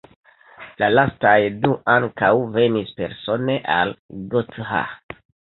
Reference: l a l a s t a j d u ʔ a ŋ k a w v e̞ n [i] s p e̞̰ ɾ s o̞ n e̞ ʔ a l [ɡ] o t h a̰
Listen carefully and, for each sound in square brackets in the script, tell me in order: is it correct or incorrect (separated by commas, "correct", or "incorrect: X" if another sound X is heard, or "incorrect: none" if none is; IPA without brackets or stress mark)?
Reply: correct, correct